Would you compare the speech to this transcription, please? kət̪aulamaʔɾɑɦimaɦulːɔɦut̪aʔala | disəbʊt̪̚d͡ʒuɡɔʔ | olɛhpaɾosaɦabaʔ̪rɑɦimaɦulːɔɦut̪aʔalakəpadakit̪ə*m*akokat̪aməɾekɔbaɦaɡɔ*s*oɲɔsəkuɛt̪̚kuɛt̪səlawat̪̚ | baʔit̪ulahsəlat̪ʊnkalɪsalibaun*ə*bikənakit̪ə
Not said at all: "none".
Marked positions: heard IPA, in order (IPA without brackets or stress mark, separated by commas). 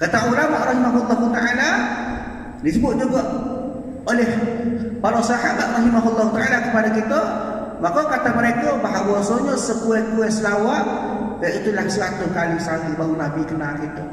m, s, a